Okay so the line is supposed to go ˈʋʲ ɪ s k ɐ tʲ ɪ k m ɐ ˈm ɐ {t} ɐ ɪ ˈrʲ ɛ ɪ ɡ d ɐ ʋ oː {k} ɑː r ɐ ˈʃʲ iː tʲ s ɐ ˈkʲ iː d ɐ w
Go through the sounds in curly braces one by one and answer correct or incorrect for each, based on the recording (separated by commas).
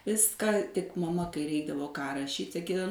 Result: incorrect, correct